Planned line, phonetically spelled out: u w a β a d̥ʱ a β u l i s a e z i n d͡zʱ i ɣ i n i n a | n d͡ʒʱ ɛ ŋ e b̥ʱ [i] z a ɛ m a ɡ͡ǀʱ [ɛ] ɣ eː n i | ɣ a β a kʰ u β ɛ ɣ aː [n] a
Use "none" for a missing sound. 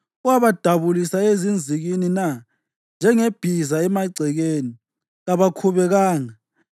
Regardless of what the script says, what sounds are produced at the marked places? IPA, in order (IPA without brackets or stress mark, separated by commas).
i, ɛ, ŋ